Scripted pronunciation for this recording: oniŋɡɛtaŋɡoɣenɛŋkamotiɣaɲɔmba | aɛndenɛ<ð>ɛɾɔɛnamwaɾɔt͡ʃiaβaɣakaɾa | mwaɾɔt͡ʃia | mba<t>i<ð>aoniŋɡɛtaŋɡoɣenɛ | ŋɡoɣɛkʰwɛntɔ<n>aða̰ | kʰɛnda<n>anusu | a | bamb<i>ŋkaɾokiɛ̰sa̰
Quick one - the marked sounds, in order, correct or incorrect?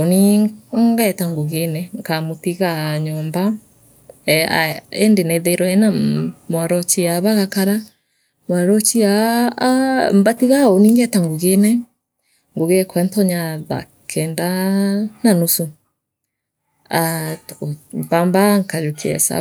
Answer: correct, correct, incorrect: ɣ, incorrect: ɲ, correct, incorrect: a

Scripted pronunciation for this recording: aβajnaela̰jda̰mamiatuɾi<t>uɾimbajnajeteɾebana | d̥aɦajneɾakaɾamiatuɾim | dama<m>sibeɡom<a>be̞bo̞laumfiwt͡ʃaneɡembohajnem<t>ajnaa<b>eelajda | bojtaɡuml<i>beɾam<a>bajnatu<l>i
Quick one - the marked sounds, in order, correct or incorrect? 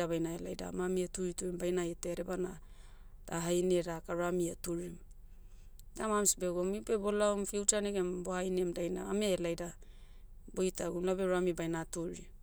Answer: correct, correct, incorrect: i, incorrect: d, incorrect: m, incorrect: a, incorrect: i, incorrect: ɾ

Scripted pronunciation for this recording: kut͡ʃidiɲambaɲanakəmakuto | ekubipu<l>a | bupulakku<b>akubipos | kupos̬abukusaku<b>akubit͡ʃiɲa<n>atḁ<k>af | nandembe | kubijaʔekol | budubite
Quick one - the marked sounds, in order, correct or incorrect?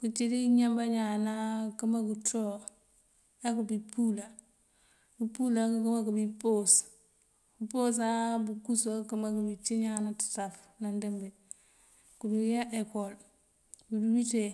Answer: correct, incorrect: m, incorrect: m, correct, incorrect: t

